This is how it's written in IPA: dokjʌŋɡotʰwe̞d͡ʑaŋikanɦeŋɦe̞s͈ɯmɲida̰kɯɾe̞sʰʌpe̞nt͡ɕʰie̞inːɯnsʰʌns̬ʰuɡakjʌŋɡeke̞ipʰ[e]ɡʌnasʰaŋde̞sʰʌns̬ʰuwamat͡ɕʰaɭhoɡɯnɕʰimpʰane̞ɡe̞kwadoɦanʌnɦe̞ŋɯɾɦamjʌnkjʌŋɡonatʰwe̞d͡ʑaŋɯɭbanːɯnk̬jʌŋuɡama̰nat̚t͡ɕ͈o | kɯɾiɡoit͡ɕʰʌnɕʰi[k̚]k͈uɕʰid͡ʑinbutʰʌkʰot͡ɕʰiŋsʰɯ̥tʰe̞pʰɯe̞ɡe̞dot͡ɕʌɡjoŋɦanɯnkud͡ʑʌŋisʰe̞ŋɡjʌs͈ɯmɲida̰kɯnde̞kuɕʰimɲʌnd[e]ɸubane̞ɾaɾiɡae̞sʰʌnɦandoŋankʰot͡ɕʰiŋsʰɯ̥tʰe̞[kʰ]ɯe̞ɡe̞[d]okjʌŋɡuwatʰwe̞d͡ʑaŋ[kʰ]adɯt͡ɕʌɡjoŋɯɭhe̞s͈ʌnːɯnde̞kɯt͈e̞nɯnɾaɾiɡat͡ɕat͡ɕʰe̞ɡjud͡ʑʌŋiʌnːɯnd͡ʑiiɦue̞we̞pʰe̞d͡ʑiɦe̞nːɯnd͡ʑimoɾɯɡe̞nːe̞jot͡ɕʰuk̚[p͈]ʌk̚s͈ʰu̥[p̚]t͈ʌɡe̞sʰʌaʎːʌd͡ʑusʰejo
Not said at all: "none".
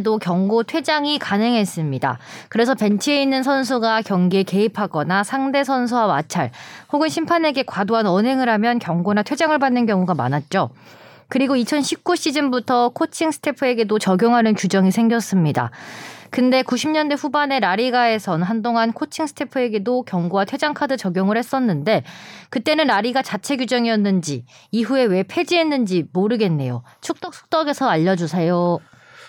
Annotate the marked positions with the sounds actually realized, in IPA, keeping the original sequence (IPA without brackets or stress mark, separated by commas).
a, p̚, e, pʰ, d, kʰ, t͈, k̚